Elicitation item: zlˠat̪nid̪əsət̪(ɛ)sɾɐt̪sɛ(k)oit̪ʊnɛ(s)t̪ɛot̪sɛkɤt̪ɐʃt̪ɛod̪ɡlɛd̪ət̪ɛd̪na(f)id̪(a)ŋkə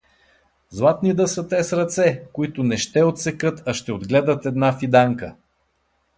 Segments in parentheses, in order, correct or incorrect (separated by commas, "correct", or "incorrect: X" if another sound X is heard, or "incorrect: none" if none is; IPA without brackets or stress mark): correct, correct, incorrect: ʃ, correct, correct